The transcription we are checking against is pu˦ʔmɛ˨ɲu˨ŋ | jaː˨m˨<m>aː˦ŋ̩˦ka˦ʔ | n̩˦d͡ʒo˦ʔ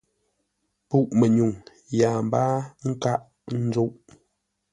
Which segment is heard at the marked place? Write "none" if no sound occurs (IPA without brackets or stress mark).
b